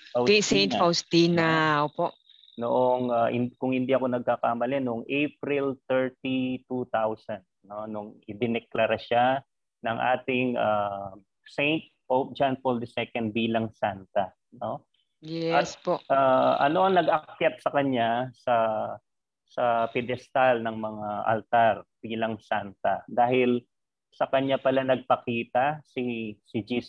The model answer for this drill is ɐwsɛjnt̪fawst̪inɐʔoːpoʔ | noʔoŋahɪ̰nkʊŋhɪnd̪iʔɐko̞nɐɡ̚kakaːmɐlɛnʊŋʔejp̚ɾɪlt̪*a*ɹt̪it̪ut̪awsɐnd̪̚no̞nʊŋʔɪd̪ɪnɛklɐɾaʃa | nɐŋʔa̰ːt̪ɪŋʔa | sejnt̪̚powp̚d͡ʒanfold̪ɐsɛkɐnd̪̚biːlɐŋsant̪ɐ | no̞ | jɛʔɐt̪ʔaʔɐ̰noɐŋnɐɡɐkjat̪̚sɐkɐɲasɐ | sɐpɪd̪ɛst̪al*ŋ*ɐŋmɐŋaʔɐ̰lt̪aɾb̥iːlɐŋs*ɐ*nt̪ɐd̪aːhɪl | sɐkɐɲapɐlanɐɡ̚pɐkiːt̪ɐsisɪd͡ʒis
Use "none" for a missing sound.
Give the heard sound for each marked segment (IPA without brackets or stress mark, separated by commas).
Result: ɛ, n, a